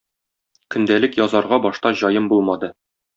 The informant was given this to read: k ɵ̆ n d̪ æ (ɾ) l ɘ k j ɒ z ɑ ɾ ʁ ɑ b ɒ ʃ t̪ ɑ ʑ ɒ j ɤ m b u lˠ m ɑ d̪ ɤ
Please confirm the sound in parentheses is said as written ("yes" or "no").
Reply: no